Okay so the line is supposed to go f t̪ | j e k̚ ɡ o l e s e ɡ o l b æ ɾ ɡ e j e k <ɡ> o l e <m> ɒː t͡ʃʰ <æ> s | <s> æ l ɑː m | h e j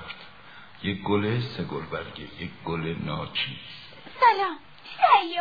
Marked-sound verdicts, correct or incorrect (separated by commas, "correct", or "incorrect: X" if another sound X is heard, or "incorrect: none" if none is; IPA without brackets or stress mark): correct, incorrect: n, incorrect: i, correct